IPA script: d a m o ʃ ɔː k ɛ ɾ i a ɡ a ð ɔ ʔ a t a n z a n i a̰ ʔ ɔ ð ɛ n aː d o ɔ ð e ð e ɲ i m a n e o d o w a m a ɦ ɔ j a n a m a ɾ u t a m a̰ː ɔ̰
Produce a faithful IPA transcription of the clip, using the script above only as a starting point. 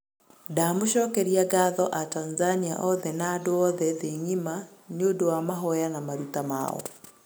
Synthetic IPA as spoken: d a m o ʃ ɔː k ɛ ɾ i a ɡ a ð ɔ ʔ a t a n z a n i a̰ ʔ ɔ ð ɛ n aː d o ɔ ð ɛ ð e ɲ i m a n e o d o w a m a ɦ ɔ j a n a m a ɾ u t a m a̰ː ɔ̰